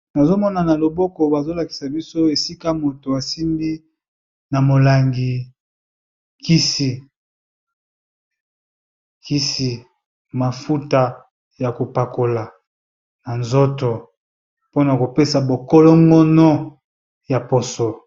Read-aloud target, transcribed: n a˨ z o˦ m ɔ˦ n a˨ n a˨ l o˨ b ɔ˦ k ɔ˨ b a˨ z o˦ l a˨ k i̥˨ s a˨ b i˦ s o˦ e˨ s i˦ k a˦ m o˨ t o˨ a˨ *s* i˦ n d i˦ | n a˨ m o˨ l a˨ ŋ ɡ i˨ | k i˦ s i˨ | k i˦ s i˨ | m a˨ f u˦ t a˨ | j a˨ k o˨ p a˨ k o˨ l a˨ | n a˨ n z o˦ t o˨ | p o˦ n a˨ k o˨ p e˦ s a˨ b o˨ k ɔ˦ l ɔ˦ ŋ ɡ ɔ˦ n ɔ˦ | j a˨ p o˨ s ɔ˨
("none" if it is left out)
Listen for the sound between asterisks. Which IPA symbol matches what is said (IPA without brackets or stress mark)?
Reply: s